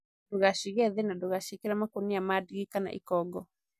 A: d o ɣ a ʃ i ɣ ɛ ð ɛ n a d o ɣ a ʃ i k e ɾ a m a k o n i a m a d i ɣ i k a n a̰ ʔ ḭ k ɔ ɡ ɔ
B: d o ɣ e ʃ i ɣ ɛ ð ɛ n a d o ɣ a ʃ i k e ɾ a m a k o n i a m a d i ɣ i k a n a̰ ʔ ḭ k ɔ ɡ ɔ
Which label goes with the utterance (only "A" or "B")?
A